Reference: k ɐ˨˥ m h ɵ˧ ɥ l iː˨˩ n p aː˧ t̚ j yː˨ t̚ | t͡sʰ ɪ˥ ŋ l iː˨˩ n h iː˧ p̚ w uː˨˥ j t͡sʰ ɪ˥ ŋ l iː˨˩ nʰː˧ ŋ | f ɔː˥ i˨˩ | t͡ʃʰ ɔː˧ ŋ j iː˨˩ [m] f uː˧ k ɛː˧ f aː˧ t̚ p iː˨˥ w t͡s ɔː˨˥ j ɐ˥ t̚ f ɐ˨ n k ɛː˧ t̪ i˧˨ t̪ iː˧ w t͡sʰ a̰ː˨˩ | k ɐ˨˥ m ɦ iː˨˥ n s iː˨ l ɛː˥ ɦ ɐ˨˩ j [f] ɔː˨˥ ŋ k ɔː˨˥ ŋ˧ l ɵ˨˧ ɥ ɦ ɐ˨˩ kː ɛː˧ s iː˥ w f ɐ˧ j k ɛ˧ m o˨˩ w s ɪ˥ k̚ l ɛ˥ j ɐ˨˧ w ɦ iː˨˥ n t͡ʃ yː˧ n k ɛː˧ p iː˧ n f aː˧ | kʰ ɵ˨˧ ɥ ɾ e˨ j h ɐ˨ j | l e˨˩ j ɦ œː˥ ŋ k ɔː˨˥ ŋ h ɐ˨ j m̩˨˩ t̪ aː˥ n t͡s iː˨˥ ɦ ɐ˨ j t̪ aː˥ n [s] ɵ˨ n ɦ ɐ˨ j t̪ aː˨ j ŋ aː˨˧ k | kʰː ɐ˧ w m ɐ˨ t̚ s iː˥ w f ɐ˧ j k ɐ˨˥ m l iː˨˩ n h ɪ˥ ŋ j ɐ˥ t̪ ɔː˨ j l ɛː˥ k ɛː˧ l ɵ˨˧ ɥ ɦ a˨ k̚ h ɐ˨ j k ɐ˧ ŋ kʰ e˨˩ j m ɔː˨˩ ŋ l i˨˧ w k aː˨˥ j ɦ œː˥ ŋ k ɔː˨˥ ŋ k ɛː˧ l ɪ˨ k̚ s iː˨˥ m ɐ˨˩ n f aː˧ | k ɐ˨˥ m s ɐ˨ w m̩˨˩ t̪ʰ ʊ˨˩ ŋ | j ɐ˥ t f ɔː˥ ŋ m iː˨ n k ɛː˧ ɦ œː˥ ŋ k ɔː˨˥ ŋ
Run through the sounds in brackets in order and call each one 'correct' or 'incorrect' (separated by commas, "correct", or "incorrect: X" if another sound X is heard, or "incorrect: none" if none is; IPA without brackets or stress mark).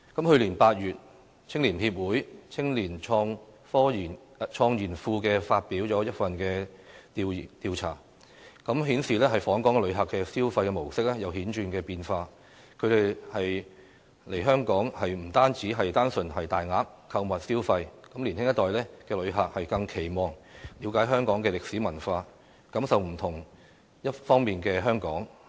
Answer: incorrect: n, correct, correct